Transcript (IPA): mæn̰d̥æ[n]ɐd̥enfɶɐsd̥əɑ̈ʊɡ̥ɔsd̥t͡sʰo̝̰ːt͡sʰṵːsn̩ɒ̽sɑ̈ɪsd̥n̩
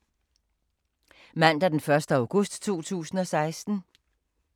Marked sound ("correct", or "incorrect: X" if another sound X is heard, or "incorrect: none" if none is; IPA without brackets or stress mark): incorrect: none